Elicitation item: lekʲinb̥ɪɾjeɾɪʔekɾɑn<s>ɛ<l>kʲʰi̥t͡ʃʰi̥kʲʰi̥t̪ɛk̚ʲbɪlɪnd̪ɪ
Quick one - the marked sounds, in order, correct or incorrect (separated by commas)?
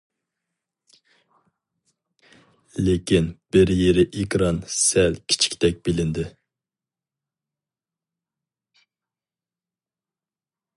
correct, correct